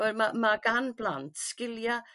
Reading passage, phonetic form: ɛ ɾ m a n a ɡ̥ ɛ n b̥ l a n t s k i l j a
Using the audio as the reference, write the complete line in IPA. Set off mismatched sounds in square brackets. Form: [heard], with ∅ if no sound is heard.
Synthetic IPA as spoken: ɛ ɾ m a [m] a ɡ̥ [a] n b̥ l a n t s k [ɪ] l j a